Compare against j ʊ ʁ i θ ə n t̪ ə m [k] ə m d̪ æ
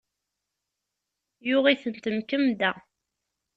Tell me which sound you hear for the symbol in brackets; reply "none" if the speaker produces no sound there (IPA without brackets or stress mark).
k